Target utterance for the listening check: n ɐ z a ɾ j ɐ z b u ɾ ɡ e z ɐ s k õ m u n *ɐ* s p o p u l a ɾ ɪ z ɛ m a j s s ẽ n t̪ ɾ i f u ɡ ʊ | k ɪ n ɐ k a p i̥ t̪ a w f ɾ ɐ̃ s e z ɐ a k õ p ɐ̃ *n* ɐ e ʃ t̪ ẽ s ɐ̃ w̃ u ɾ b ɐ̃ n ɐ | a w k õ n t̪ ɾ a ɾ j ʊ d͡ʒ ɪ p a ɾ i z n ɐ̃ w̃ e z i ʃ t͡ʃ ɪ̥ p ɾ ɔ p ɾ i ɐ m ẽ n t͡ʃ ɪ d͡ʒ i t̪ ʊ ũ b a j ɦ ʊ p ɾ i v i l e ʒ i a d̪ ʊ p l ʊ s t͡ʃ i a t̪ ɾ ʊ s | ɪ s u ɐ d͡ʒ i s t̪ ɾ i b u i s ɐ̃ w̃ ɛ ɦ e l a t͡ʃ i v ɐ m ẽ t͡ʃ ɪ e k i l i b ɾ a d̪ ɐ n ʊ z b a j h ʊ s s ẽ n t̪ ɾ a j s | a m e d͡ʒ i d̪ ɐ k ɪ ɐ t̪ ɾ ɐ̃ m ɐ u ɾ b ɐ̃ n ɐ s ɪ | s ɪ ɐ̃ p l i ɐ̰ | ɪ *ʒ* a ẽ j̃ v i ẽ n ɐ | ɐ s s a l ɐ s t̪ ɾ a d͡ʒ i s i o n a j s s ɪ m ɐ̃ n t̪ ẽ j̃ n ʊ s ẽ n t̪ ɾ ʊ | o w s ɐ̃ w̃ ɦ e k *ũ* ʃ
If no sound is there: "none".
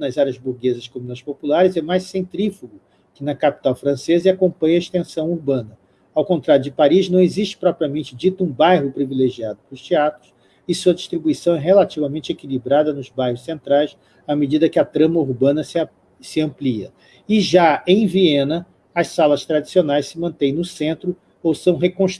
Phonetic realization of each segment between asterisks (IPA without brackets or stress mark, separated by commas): ɐ, ɲ, ʒ, õ